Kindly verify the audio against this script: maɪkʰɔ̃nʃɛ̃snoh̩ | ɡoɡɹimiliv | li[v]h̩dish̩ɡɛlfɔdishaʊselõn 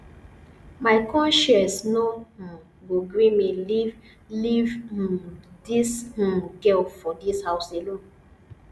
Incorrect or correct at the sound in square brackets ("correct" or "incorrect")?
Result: correct